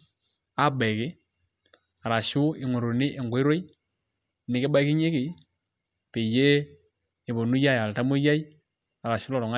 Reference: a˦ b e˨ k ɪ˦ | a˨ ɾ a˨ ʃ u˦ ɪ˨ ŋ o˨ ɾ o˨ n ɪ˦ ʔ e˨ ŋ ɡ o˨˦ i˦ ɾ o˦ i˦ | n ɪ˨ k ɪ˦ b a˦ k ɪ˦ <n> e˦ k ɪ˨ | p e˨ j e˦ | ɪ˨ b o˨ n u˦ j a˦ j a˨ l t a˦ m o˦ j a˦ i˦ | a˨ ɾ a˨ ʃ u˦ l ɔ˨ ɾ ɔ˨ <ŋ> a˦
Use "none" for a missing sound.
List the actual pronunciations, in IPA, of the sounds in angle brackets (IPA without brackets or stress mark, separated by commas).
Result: ɲ, ŋ